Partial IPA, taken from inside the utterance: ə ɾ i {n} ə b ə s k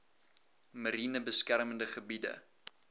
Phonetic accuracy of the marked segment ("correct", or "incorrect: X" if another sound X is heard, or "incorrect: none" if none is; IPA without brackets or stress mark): correct